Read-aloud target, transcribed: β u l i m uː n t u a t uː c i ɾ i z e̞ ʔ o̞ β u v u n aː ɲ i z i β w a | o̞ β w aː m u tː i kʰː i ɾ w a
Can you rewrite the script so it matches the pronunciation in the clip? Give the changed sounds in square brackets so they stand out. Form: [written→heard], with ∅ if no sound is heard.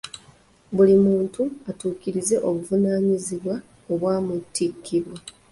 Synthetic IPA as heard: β u l i m uː n t u a t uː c i ɾ i z e̞ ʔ o̞ β u v u n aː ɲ i z i β w a | o̞ β w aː m u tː i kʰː i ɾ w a